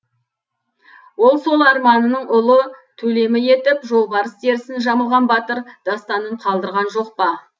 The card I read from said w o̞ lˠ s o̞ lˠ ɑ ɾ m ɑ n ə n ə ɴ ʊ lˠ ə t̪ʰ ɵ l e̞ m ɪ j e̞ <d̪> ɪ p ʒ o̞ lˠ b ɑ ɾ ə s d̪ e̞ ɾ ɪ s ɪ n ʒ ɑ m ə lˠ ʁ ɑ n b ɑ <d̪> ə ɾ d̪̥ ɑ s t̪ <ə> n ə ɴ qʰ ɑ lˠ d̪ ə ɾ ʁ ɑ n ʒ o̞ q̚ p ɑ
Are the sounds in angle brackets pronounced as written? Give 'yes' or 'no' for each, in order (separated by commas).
no, no, no